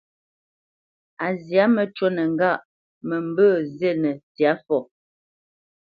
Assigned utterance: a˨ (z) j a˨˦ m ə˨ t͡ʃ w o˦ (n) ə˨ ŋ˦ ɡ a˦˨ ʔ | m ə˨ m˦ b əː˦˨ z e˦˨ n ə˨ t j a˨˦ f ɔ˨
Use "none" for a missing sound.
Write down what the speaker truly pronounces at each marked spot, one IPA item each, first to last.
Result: z, n

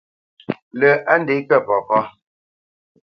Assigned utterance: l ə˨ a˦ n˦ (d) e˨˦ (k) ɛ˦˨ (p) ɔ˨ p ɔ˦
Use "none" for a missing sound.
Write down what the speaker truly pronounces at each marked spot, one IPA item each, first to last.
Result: d, k, p

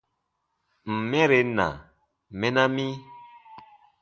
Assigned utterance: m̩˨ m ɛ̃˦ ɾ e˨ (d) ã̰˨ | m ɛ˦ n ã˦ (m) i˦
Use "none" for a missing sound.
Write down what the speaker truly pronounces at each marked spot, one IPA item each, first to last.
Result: n, m

